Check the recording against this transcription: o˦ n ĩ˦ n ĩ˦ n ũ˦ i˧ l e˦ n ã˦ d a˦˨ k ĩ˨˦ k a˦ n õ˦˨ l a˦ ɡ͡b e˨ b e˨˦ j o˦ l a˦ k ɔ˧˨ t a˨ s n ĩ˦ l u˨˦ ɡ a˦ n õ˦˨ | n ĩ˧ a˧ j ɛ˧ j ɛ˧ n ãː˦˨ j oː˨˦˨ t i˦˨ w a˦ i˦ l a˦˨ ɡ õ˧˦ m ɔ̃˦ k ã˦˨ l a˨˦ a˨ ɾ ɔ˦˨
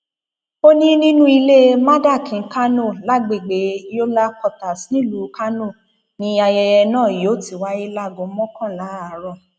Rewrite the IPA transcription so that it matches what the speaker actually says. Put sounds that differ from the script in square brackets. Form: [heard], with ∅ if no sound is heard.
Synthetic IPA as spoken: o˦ n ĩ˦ n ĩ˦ n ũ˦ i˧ l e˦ [m] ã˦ d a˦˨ k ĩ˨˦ k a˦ n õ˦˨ l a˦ ɡ͡b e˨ [ɡ͡b] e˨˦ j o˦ l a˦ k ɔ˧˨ t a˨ s n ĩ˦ l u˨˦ [k] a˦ n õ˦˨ | n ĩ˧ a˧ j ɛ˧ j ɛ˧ n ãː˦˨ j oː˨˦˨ t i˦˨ w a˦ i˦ l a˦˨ ɡ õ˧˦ m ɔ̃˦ k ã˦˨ l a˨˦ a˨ ɾ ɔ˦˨